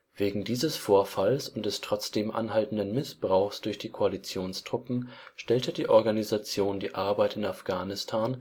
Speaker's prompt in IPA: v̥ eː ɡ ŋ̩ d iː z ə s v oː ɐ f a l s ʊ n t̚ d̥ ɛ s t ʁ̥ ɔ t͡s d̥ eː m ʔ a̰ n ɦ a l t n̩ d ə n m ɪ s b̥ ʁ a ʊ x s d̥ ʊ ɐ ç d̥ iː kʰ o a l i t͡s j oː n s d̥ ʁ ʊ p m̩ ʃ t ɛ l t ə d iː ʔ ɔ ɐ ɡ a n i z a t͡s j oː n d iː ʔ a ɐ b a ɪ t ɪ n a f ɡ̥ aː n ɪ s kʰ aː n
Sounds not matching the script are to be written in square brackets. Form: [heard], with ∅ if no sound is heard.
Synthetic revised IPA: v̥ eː ɡ ŋ̩ d iː z ə s [f] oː ɐ f a l s ʊ n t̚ d̥ ɛ s t ʁ̥ ɔ t͡s d̥ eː m ʔ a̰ n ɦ a l t n̩ d ə n m ɪ s b̥ ʁ a ʊ x s d̥ ʊ ɐ ç d̥ iː kʰ o a l i t͡s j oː n s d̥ ʁ ʊ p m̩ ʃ t ɛ l t ə d iː ʔ ɔ ɐ ɡ a n i z a t͡s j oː n d iː ʔ a ɐ b a ɪ t ɪ n a f ɡ̥ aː n ɪ s [tʰ] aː n